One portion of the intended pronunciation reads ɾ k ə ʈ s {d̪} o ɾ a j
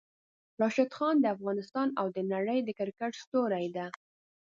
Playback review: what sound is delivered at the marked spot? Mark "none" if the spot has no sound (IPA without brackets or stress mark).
t̪